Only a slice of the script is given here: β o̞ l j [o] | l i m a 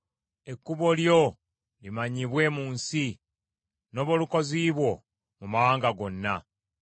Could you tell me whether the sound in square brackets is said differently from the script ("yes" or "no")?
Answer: no